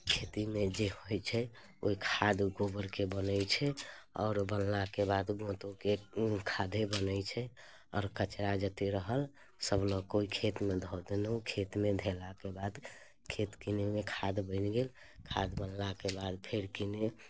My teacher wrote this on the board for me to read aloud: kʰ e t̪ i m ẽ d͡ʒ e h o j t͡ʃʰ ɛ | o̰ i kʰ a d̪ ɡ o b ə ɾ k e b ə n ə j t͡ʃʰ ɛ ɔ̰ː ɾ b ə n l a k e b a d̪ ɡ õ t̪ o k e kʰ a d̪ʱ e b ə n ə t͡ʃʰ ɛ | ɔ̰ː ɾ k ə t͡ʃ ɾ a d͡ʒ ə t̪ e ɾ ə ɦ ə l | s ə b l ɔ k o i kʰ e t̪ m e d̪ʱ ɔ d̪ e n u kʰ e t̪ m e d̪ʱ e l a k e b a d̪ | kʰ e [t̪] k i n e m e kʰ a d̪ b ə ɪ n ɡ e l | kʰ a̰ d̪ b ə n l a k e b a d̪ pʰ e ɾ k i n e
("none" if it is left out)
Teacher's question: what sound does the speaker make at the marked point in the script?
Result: t̪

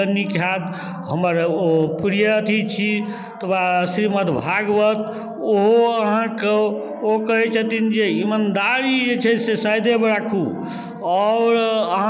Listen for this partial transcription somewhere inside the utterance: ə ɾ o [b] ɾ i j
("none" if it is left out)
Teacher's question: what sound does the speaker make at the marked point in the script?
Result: p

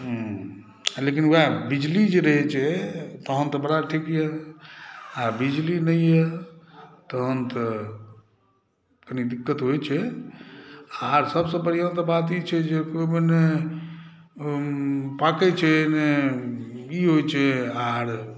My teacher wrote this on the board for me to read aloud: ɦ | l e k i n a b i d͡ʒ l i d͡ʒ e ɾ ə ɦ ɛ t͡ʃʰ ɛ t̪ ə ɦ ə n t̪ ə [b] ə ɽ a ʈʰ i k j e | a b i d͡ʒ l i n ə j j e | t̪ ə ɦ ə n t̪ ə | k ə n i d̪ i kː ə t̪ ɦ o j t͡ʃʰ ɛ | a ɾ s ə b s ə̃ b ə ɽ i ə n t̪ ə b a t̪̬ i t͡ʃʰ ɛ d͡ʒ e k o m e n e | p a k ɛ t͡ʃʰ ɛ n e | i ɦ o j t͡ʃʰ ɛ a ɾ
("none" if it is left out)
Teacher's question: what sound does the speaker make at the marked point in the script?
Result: b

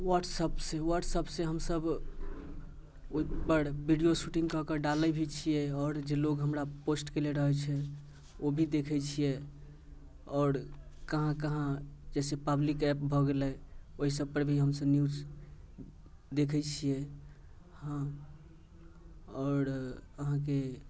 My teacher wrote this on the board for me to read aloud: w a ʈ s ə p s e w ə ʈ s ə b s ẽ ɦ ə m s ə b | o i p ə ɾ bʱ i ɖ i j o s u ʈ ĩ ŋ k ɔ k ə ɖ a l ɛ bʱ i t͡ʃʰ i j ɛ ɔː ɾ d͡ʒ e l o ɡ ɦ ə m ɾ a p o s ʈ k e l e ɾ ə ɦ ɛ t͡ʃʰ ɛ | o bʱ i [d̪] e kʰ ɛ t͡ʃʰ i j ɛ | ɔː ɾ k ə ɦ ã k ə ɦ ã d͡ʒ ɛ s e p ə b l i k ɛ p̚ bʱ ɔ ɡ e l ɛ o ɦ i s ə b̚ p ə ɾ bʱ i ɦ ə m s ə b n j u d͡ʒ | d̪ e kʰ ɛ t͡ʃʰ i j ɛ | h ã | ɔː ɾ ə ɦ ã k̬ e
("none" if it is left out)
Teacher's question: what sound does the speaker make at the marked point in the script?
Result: d̪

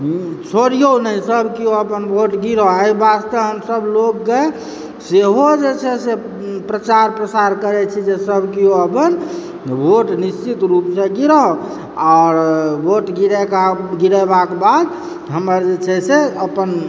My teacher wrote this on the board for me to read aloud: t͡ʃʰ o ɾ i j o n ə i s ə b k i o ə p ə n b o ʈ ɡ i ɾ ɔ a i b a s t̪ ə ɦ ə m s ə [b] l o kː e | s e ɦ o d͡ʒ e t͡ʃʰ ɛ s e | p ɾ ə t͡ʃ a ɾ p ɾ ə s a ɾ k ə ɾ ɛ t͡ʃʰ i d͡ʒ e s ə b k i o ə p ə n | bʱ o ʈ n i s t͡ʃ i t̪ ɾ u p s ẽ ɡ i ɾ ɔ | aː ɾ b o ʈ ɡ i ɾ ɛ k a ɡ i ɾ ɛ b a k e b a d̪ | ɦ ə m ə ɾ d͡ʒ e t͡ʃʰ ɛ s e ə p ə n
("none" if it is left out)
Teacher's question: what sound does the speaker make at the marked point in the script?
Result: b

